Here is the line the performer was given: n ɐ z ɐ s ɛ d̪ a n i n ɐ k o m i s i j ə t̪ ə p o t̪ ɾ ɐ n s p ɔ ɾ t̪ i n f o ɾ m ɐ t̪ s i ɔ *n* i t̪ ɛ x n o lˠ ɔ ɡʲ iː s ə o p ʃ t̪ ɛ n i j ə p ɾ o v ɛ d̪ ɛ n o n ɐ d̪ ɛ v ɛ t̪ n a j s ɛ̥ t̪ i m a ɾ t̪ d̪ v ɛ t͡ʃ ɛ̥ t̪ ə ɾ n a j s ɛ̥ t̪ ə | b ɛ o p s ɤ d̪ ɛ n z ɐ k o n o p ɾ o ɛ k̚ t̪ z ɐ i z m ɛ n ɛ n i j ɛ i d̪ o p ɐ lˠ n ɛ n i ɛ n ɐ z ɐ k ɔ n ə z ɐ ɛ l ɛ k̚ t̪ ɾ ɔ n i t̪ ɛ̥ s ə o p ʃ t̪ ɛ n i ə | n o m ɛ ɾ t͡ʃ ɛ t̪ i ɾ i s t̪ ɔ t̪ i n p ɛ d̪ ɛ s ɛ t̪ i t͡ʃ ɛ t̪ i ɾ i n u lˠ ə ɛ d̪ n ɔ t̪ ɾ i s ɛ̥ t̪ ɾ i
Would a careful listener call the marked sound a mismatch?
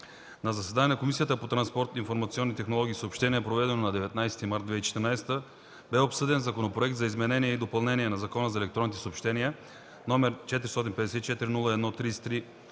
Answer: yes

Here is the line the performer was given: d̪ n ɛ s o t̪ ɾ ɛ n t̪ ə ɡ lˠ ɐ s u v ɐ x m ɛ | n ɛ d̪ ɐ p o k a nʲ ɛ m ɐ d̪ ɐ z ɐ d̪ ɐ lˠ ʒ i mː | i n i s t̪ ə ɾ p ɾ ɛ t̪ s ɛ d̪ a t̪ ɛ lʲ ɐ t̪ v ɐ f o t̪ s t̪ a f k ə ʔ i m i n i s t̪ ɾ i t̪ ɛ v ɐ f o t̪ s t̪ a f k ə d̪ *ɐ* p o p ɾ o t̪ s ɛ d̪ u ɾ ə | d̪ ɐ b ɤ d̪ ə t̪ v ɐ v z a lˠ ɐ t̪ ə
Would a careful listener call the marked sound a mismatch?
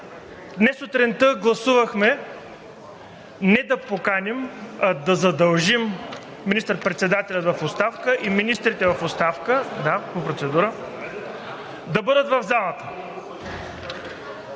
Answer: yes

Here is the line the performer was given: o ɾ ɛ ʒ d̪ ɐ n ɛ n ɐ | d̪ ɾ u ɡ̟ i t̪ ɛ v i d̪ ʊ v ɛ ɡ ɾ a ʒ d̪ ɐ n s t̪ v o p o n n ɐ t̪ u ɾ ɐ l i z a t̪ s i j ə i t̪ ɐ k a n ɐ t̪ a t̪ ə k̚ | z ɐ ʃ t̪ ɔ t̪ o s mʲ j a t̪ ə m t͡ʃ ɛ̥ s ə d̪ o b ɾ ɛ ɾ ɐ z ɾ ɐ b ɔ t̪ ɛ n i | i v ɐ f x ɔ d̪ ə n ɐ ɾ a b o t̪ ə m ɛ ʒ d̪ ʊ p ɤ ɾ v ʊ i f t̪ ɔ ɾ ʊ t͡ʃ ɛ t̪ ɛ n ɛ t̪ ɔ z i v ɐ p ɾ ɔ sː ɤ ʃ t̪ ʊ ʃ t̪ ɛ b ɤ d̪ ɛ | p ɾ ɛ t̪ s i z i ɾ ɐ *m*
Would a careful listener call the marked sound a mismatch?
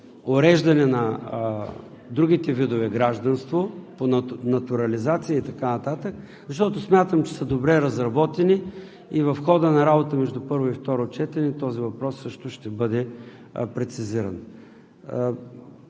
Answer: yes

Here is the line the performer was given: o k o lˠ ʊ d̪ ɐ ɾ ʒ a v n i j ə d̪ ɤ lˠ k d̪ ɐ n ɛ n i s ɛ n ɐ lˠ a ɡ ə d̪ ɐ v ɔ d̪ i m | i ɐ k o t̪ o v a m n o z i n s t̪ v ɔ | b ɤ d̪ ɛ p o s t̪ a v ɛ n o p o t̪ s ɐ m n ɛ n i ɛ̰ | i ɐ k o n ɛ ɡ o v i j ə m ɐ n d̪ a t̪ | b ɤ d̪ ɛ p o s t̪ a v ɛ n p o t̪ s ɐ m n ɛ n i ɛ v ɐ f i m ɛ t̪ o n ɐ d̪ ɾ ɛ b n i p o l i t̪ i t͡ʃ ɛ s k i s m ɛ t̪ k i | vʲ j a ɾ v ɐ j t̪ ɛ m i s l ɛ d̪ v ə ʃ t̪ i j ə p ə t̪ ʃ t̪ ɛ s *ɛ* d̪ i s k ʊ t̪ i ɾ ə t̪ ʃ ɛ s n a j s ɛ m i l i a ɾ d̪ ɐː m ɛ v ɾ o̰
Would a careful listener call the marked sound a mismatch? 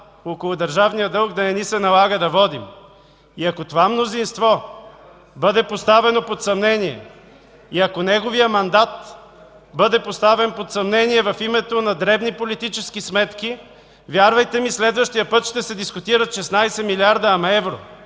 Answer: no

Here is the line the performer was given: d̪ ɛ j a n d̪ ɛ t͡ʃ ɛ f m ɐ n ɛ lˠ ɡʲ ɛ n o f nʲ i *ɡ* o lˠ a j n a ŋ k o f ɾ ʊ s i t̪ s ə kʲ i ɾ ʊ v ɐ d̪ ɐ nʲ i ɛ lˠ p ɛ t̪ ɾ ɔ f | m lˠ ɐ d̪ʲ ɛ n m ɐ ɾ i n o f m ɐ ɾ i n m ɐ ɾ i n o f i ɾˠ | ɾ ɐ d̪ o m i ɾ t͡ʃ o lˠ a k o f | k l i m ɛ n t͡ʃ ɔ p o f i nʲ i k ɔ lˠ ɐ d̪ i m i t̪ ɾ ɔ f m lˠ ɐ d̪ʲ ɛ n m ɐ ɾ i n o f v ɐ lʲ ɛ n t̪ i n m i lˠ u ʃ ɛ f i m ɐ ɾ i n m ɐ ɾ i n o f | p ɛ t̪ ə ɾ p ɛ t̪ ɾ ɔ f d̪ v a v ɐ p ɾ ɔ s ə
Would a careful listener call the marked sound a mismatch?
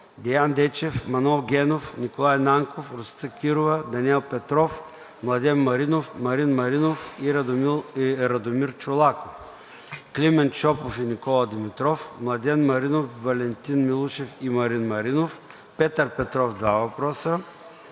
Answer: yes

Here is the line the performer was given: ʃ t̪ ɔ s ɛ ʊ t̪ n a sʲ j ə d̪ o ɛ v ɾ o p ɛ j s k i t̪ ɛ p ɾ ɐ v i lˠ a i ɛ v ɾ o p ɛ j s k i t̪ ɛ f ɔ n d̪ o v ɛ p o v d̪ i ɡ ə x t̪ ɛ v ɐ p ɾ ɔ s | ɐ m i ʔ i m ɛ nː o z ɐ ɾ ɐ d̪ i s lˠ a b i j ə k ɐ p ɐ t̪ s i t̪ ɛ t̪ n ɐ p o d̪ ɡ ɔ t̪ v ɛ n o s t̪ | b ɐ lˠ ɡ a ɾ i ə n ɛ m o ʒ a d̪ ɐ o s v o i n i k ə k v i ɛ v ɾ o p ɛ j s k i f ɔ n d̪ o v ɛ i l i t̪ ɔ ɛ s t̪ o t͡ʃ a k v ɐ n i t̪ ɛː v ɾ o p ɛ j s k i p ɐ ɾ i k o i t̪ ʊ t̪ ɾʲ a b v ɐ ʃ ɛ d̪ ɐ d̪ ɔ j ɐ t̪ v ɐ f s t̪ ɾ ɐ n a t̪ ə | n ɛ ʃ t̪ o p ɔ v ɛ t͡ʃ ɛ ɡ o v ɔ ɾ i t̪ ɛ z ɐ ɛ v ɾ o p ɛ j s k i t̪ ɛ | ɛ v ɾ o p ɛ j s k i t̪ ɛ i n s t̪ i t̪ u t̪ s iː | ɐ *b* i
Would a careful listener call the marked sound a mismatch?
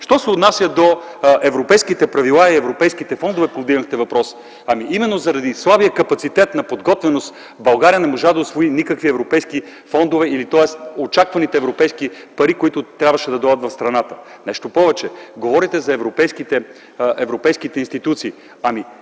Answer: yes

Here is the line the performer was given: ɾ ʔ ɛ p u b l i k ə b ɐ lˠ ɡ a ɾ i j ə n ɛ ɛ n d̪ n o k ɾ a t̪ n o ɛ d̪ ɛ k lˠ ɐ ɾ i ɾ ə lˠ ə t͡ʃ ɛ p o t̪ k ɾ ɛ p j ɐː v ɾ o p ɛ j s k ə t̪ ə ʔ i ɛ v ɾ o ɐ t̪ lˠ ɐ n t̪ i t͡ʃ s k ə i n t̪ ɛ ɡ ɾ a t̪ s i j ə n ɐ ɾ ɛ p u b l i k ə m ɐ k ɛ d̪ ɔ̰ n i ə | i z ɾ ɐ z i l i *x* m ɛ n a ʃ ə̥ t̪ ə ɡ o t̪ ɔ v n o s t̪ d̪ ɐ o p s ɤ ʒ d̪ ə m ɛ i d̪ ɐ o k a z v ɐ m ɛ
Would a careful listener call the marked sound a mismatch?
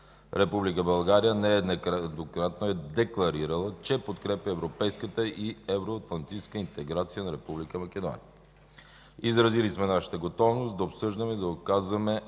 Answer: yes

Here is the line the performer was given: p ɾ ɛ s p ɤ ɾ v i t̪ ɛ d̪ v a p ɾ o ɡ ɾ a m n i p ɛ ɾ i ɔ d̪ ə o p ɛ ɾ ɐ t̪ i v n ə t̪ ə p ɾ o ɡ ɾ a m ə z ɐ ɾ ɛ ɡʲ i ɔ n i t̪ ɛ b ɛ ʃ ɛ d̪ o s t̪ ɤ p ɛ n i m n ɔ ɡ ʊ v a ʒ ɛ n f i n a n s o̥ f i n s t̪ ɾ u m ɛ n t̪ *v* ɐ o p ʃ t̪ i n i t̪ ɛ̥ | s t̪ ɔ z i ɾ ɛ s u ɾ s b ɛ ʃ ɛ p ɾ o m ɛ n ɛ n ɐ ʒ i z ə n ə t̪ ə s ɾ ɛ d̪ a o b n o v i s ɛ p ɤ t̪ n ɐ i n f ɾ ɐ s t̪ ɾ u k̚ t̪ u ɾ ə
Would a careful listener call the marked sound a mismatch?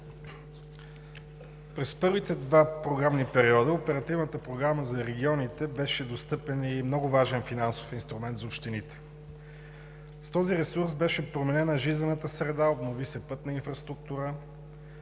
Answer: yes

